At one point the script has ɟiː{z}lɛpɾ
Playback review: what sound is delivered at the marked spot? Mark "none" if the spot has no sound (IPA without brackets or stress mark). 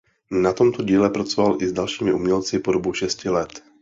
none